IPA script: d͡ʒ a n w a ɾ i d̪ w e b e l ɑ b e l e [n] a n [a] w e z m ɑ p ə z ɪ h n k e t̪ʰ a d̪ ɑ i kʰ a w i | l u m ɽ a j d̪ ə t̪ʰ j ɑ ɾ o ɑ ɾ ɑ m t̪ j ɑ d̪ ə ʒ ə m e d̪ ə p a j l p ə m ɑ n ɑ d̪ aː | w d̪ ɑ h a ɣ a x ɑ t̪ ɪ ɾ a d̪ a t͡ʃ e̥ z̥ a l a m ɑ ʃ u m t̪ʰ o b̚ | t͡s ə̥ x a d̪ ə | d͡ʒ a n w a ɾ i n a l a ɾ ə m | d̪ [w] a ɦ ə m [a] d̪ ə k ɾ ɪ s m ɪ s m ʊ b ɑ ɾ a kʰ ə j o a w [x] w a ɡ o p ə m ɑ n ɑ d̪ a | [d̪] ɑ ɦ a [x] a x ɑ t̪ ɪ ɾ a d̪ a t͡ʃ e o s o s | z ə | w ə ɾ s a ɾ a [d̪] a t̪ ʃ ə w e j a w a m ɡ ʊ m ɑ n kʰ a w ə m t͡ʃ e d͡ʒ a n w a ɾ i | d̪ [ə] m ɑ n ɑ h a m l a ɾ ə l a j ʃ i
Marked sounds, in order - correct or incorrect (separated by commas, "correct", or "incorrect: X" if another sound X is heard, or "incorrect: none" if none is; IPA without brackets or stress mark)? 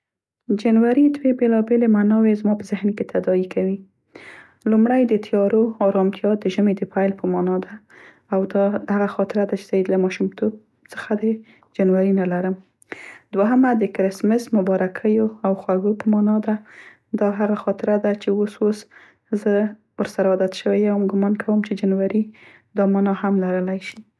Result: incorrect: m, incorrect: ɑ, correct, correct, correct, correct, incorrect: ɣ, correct, incorrect: ɑ